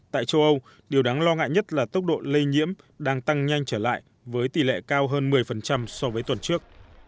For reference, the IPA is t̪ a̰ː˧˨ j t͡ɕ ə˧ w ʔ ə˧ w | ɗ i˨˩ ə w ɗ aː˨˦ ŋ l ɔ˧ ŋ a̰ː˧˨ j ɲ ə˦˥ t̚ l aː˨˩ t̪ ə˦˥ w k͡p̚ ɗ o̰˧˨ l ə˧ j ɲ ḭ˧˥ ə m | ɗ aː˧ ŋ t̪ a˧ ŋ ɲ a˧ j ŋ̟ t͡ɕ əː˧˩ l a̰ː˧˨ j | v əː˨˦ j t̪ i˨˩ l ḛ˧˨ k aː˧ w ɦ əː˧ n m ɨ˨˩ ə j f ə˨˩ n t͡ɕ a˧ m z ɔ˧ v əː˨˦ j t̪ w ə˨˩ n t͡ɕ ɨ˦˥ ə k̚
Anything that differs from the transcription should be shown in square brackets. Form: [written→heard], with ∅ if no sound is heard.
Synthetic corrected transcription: t̪ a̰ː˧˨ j t͡ɕ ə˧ w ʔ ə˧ w | ɗ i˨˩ ə w ɗ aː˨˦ ŋ l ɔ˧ ŋ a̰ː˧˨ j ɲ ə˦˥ t̚ l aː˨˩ t̪ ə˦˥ w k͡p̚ ɗ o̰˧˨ l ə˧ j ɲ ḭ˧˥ ə m | ɗ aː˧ ŋ t̪ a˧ ŋ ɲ a˧ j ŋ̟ t͡ɕ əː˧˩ l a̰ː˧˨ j | v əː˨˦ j t̪ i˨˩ l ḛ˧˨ k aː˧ w ɦ əː˧ n m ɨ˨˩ ə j f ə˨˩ n t͡ɕ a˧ m [z→s] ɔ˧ v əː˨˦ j t̪ w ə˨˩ n t͡ɕ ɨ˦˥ ə k̚